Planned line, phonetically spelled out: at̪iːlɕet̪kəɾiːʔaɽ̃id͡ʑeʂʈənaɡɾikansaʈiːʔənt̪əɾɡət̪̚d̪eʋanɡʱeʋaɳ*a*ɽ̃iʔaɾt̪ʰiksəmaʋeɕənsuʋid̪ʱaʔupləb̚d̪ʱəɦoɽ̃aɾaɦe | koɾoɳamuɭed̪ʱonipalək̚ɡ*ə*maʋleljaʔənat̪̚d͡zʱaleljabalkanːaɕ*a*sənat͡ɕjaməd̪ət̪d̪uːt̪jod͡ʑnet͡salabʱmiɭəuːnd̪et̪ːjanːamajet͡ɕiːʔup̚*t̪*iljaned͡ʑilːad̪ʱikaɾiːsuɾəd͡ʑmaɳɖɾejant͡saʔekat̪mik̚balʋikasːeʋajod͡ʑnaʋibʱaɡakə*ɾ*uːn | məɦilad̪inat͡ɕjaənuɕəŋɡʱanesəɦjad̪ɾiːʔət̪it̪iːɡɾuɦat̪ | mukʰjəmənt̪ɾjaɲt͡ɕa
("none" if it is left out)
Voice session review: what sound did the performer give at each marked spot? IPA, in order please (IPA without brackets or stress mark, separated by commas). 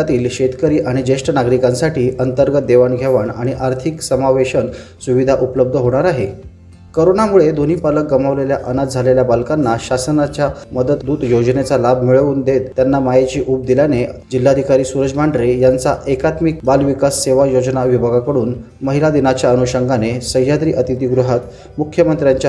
a, ə, a, d̪, ɽ